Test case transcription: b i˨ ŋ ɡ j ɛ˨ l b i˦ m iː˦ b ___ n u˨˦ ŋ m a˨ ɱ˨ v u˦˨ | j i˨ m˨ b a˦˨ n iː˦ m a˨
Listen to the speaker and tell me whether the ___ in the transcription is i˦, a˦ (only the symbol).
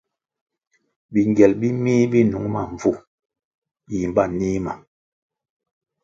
i˦